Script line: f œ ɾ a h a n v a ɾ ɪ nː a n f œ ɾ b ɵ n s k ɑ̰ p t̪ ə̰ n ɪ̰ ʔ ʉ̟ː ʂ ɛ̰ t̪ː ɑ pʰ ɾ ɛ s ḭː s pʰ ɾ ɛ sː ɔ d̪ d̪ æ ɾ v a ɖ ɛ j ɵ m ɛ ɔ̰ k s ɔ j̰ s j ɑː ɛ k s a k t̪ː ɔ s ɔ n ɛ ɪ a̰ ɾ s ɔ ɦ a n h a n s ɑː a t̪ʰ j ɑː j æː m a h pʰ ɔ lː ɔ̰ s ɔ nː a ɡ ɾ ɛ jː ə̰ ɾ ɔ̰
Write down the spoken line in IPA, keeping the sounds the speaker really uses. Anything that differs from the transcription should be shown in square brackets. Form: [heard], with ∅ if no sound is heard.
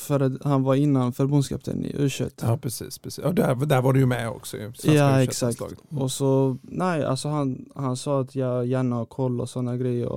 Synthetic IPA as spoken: f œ ɾ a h a n v a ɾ ɪ nː a n f œ ɾ b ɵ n s k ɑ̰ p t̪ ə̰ n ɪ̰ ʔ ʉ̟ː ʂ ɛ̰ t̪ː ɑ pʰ ɾ ɛ s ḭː s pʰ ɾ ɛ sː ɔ d̪ d̪ æ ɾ v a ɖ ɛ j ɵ m ɛ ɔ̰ k s ɔ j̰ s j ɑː ɛ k s a k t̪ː ɔ s ɔ n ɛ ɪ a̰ [l] s ɔ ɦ a n h a n s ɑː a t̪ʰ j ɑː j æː [ɳ] a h [kʰ] ɔ lː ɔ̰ s ɔ nː a ɡ ɾ ɛ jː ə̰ ɾ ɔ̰